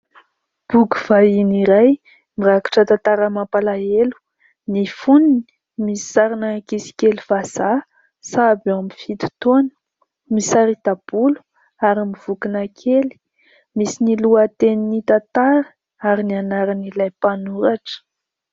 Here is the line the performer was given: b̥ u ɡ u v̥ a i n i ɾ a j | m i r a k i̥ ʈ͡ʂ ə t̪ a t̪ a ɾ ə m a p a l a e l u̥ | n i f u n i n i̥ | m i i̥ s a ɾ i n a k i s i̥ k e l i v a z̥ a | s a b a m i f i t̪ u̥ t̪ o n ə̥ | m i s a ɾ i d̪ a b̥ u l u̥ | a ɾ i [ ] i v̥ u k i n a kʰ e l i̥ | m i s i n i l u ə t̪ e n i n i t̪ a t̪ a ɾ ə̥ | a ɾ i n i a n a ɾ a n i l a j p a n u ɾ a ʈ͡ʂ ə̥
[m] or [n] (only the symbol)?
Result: m